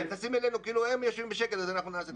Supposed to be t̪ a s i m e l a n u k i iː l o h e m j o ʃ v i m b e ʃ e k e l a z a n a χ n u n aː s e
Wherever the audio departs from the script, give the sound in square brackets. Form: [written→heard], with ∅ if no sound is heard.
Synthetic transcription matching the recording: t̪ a s i m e l [a→e] n u k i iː l [o→u] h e m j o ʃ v i m b e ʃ e k e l a z a n a χ n u n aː s e

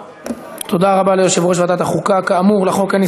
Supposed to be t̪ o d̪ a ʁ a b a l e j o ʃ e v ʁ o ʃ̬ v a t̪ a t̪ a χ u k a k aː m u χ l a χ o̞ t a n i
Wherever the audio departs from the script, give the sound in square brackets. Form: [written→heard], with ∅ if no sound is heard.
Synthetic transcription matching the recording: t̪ o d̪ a ʁ a b a l e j o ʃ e v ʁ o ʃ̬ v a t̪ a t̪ a χ u k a k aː m u [χ→ʁ] l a χ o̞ [t→k] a n i

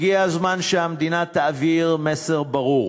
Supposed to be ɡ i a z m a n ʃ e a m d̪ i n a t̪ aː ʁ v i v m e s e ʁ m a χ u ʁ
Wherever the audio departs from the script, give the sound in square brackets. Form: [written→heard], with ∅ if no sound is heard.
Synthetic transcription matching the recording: ɡ i a z m a n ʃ e a m d̪ i n a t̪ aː [ʁ→∅] v i [v→ʁ] m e s e ʁ [m→b] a [χ→ʁ] u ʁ

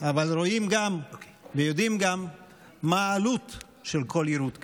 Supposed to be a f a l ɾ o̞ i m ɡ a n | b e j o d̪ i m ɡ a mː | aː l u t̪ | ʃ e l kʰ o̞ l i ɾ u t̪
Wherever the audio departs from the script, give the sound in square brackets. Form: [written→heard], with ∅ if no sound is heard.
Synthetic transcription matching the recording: a [f→v] a l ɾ o̞ i m ɡ a [n→m] | [b→v] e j o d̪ i m ɡ a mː | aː l u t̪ | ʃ e l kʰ o̞ l i ɾ u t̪

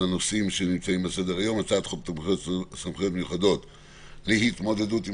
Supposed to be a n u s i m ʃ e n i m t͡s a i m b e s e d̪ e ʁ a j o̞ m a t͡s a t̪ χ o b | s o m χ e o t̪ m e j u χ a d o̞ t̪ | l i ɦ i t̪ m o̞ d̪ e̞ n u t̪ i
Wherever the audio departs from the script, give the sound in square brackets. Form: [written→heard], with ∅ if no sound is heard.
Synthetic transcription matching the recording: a n [u→o] s i m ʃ e n i m t͡s a i m b e s e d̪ e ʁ a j o̞ m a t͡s a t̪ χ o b | s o m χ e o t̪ m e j u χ a d o̞ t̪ | l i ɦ i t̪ m o̞ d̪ e̞ [n→d] u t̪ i

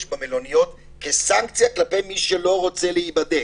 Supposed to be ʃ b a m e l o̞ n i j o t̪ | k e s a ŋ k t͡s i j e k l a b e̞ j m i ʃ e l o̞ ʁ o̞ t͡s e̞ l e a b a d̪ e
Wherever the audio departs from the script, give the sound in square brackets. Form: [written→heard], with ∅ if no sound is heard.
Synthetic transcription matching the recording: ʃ b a m e l o̞ n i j o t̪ | k e s a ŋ k t͡s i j [e→a] k l a [b→p] e̞ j m i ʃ e l o̞ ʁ o̞ t͡s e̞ l e [a→i] b a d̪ e

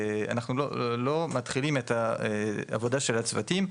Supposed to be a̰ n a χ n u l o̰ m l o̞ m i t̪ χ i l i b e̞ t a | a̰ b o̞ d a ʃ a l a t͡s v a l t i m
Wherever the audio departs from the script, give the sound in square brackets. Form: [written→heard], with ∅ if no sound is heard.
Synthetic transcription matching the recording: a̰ n a χ n u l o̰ [m→∅] l o̞ m [i→a] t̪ χ i l i [b→m] e̞ t a | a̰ [b→v] o̞ d a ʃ [a→e] l a t͡s v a [l→∅] t i m

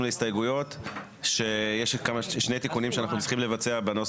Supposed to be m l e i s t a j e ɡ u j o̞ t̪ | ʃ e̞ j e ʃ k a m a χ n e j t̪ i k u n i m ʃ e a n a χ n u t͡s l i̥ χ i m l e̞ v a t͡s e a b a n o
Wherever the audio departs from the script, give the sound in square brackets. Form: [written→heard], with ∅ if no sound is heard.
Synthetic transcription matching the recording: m l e i s t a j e ɡ u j o̞ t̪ | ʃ e̞ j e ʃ k a m a [χ→ʃ] n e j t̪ i k u n i m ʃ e a n a χ n u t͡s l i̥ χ i m l e̞ v a t͡s e a b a n o

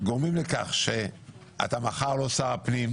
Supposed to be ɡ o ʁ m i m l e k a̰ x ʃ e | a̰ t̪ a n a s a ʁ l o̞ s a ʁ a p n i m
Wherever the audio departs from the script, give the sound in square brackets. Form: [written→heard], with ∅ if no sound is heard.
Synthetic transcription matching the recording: ɡ o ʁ m i m l e k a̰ [x→χ] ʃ e | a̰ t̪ a [n→m] a [s→χ] a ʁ l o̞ s a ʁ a p n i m

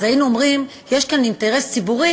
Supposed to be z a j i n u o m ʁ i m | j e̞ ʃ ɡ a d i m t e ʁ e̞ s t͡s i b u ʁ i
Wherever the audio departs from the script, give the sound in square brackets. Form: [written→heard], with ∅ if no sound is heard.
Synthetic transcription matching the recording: z a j i n u o m ʁ i m | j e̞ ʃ [ɡ→k] a [d→n] i [m→n] t e ʁ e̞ s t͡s i b u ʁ i

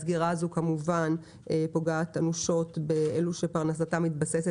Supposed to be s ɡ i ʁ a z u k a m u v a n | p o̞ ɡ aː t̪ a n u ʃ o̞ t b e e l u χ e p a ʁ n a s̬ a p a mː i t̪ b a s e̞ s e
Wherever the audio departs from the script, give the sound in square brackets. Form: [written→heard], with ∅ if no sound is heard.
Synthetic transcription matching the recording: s ɡ i ʁ a z u k a m u v a n | p o̞ ɡ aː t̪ a n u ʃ o̞ t b e e l u [χ→ʃ] e p a ʁ n a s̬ a [p→t] a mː i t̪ b a s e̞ s e

